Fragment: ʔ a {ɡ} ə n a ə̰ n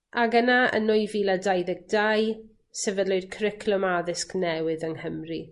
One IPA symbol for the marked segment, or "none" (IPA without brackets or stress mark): ɡ